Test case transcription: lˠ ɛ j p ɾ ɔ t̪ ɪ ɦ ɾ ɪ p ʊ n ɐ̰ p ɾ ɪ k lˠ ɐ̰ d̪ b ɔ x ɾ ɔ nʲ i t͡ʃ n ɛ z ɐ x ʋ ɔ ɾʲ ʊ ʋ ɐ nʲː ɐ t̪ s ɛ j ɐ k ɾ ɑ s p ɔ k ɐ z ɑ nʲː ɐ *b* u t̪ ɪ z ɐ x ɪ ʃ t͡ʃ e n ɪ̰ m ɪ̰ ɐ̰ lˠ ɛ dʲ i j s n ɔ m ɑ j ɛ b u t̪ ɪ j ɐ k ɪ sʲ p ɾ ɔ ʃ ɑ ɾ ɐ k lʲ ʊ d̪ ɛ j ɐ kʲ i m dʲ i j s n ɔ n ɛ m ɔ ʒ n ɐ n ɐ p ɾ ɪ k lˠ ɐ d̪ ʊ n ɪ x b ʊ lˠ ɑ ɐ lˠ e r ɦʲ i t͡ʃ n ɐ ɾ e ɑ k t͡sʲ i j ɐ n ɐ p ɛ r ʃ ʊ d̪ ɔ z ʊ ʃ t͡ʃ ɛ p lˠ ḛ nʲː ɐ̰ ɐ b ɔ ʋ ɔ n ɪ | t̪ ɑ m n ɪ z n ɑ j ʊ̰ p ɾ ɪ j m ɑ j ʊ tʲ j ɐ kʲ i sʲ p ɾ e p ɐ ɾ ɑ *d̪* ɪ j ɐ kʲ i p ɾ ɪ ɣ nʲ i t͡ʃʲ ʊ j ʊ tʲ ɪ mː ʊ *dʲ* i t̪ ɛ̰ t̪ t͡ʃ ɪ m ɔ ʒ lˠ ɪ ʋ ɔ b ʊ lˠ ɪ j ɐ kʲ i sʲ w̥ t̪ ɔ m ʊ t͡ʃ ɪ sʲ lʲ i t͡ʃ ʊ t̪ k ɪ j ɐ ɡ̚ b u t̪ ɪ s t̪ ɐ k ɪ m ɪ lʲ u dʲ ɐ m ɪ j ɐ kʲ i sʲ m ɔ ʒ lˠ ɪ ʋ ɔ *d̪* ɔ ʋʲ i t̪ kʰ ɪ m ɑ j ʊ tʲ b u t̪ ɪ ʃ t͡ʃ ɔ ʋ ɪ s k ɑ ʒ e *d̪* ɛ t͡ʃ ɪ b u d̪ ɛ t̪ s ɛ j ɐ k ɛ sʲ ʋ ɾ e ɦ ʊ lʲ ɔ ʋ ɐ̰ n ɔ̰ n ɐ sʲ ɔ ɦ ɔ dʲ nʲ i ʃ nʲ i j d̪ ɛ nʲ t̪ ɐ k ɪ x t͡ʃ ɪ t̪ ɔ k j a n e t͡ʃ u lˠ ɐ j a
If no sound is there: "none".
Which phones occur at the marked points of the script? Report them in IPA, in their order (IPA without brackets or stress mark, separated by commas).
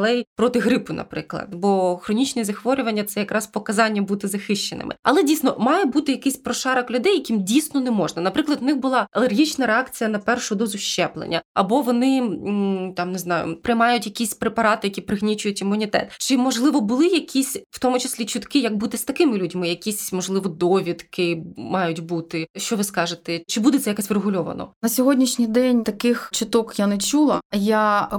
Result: b, t̪, nʲ, d̪, t̪